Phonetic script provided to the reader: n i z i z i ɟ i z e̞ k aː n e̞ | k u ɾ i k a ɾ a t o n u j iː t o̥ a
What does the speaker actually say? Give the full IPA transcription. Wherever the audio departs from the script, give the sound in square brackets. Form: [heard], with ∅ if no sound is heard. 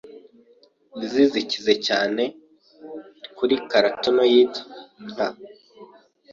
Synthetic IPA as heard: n i z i z i [c] i z e̞ [c] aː n e̞ | k u ɾ i k a ɾ a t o n [o] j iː t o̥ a